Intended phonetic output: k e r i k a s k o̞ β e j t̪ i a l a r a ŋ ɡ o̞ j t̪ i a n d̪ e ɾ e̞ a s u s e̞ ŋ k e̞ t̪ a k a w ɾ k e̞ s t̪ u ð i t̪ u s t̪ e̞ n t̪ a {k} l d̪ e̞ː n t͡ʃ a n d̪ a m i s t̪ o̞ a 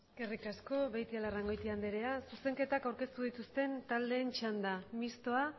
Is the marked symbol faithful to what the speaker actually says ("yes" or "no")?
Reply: no